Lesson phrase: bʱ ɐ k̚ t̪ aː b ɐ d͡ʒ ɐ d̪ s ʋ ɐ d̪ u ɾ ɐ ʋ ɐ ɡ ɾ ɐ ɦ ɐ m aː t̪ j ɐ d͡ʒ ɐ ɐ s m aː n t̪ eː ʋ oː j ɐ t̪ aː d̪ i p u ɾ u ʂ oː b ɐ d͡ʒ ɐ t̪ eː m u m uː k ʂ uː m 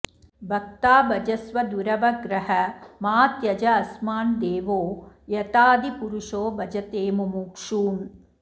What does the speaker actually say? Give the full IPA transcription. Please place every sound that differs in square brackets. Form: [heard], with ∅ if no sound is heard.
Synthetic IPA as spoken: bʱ ɐ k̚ t̪ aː b ɐ d͡ʒ ɐ [∅] s ʋ ɐ d̪ u ɾ ɐ ʋ ɐ ɡ ɾ ɐ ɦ ɐ m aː t̪ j ɐ d͡ʒ ɐ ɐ s m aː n [d̪] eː ʋ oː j ɐ t̪ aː d̪ i p u ɾ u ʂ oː b ɐ d͡ʒ ɐ t̪ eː m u m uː k ʂ uː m